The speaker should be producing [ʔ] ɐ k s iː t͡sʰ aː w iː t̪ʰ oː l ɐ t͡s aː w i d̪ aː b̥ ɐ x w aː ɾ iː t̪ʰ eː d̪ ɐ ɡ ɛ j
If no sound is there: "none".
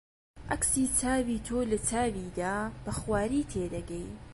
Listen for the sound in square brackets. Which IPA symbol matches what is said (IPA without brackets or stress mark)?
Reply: ʔ